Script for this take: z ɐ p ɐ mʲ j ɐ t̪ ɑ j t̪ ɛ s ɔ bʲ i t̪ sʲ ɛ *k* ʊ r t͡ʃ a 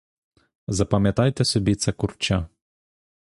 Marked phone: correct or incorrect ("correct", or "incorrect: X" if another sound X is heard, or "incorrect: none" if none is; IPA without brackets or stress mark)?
correct